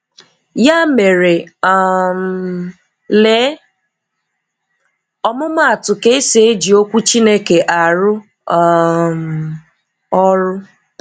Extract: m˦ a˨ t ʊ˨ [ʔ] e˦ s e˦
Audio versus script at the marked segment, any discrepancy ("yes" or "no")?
yes